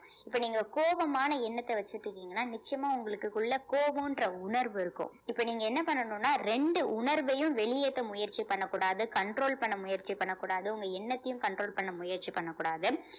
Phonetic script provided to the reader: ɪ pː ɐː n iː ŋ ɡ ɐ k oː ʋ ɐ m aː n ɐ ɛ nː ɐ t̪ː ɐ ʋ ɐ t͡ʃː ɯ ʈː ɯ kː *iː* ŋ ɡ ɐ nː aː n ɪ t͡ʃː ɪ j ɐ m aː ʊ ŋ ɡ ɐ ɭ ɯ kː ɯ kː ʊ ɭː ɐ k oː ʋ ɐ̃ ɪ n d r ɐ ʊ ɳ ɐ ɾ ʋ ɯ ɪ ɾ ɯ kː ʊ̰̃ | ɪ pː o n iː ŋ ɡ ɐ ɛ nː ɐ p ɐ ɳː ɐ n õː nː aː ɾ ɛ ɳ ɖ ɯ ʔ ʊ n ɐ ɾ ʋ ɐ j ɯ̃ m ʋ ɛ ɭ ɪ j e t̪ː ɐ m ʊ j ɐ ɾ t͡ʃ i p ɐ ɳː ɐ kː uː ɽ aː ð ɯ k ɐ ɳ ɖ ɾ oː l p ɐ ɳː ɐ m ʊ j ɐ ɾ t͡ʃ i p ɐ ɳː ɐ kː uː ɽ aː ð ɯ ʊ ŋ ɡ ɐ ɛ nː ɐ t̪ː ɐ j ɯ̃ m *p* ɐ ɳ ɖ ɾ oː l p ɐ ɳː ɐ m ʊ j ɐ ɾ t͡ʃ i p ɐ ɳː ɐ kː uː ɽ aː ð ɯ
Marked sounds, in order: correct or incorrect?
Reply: correct, incorrect

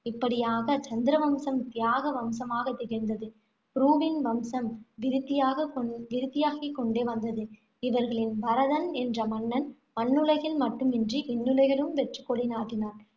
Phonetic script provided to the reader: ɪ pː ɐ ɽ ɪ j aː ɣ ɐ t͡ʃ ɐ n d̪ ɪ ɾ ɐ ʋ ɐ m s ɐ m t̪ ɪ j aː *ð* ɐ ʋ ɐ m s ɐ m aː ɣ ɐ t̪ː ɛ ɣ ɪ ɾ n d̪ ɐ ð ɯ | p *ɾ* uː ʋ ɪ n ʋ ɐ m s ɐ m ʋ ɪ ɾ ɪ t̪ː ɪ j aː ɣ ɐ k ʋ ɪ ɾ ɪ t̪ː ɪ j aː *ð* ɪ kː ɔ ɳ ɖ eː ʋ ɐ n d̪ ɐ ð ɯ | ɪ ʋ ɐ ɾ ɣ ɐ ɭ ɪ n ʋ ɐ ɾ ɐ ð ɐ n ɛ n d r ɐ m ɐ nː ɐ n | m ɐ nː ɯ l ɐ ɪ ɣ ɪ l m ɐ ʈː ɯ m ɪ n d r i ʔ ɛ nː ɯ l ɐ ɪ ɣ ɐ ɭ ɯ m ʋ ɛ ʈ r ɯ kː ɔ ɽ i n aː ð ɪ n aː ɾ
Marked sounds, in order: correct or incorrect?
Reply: incorrect, correct, incorrect

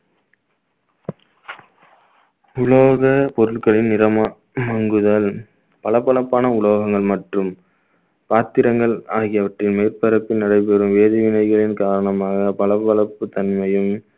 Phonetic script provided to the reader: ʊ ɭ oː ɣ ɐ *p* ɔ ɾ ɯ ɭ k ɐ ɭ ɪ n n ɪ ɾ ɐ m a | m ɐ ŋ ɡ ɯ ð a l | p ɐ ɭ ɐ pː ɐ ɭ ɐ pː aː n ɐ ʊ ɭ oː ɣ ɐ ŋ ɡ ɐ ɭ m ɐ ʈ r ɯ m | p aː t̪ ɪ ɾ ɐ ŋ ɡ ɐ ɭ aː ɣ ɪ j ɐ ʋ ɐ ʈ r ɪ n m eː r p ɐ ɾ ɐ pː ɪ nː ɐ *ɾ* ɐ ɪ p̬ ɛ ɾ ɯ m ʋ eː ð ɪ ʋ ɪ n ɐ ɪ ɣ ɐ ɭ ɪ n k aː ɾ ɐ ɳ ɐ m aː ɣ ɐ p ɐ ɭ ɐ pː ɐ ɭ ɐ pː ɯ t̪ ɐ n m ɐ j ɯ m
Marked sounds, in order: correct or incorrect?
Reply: correct, incorrect

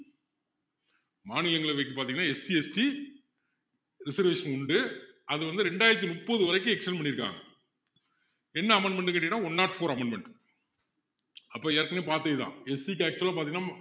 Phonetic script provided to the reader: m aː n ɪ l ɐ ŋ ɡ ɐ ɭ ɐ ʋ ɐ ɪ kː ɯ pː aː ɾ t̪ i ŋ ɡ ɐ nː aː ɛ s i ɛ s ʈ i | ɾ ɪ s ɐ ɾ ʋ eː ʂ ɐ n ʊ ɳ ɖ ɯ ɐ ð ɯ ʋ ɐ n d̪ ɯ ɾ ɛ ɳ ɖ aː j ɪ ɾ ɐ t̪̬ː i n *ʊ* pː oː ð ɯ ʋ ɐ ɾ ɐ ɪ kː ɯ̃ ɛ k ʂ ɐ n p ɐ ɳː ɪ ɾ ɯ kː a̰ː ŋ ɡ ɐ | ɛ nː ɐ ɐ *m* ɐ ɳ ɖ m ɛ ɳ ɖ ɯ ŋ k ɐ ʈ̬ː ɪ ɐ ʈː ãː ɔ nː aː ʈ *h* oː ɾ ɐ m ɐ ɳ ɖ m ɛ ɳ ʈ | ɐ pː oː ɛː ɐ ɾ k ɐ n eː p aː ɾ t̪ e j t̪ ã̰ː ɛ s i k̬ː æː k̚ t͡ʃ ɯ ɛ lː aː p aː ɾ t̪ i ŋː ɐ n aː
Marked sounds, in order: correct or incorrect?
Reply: correct, correct, incorrect

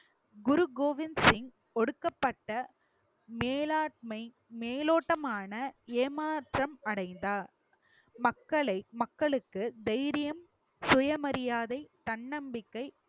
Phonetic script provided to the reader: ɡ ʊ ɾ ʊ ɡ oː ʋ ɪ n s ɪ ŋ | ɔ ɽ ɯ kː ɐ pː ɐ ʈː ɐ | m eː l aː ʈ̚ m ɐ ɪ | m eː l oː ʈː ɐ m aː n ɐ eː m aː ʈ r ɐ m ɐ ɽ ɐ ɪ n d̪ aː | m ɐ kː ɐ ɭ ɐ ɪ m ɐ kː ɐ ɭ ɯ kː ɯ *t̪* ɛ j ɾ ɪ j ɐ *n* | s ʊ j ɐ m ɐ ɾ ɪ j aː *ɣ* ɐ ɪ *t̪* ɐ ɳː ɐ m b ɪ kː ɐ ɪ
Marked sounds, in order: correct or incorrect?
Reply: incorrect, incorrect, incorrect, correct

